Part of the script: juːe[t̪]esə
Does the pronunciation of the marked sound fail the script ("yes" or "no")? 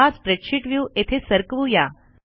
yes